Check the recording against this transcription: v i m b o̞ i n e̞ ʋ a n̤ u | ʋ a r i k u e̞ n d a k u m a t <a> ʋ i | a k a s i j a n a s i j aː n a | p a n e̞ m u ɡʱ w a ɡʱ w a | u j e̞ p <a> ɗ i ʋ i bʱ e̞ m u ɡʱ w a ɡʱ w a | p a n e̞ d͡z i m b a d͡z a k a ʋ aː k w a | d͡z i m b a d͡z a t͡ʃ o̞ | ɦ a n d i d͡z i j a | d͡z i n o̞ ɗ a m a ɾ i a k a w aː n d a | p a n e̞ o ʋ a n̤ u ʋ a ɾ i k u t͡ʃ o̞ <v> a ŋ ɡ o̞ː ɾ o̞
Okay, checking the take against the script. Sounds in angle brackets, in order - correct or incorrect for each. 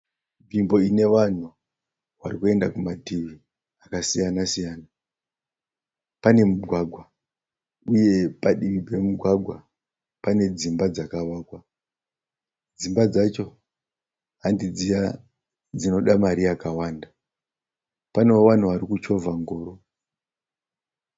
incorrect, correct, correct

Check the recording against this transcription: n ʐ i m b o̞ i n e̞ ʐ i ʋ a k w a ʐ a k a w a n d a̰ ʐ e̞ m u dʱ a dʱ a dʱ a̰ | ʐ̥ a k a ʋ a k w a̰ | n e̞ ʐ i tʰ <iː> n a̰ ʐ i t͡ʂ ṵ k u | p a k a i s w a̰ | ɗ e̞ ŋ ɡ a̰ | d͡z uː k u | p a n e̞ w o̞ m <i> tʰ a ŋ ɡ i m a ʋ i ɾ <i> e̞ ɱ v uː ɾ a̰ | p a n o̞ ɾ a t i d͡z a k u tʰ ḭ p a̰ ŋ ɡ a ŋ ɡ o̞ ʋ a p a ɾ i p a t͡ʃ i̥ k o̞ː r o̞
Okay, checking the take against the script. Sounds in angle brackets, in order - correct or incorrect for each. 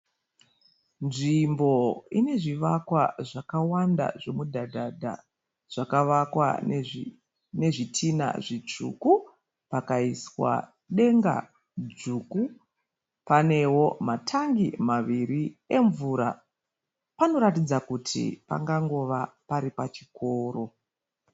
incorrect, incorrect, correct

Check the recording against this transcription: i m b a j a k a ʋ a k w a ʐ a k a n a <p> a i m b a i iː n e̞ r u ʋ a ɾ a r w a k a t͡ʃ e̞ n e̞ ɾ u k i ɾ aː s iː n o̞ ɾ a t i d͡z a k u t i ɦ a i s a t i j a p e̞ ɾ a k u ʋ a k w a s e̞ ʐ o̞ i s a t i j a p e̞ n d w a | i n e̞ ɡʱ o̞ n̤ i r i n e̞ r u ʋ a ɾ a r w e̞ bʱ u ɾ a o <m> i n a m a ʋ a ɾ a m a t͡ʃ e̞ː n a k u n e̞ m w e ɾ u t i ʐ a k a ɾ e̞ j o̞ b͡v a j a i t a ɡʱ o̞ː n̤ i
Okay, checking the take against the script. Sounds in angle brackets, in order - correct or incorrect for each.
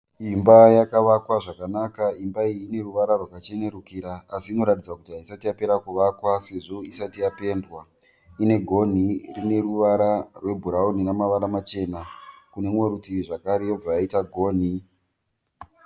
incorrect, incorrect

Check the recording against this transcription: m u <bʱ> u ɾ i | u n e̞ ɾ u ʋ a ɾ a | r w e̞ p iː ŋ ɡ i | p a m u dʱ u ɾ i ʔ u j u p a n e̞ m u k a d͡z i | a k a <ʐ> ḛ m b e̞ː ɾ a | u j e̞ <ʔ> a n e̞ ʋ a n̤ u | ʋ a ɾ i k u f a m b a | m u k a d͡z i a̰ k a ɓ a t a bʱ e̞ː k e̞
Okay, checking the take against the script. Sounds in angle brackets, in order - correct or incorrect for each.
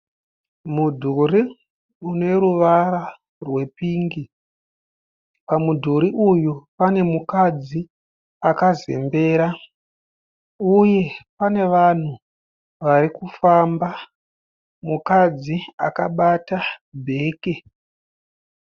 incorrect, incorrect, incorrect

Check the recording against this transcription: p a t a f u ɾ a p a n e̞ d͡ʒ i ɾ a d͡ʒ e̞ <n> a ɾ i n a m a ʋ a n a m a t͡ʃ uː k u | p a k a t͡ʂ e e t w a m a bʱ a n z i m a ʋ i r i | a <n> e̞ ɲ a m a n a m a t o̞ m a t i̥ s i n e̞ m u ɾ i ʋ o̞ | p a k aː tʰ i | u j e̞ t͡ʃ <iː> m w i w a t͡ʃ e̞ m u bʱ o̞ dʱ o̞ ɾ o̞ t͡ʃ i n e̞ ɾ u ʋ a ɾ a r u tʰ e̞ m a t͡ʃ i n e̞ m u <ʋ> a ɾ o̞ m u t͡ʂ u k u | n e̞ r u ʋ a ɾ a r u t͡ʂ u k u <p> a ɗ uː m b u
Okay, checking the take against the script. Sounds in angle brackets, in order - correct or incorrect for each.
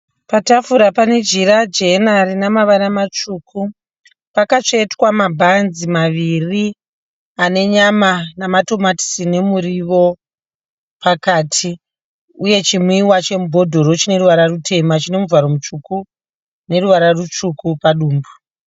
correct, correct, incorrect, incorrect, correct

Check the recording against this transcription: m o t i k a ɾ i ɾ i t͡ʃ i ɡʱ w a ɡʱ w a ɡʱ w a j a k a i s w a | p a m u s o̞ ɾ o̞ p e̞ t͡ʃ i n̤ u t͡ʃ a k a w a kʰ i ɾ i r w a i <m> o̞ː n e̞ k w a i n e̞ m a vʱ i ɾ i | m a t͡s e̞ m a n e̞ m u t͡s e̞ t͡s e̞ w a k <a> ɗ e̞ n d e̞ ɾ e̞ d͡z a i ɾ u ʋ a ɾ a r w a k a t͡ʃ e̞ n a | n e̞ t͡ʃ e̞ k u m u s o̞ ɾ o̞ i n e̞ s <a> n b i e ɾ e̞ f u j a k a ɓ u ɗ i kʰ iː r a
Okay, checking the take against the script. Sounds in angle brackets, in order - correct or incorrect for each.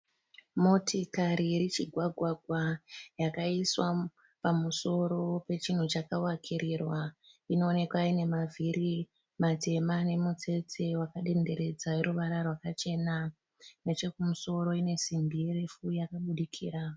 incorrect, correct, incorrect

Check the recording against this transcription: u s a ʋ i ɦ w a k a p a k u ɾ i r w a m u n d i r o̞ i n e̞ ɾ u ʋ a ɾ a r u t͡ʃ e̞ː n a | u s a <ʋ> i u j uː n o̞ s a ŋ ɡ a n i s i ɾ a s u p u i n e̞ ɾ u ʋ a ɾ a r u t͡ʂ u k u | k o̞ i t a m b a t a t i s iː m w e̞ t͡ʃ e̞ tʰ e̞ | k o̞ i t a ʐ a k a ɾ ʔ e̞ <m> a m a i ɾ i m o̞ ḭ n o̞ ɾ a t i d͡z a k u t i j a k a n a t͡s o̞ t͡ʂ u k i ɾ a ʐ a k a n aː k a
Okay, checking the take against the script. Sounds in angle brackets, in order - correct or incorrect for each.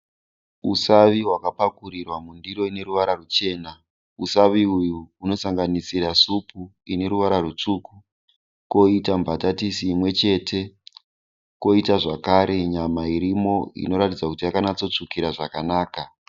correct, incorrect

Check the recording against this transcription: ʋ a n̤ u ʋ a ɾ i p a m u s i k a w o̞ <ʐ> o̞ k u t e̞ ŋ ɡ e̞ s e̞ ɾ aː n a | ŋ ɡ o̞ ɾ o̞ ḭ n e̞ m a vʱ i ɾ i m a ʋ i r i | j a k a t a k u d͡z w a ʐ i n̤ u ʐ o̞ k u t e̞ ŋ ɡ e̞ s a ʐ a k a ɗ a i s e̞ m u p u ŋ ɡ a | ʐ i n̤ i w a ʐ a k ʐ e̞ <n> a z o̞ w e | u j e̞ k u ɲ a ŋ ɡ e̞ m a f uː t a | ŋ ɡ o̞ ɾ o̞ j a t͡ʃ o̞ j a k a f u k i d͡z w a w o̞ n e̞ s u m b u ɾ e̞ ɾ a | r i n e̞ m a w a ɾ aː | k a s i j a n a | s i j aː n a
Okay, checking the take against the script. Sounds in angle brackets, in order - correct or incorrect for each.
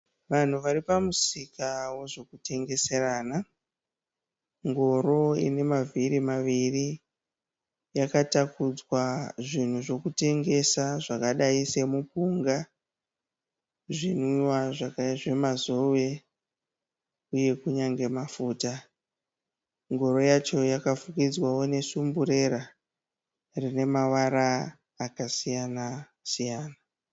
correct, incorrect

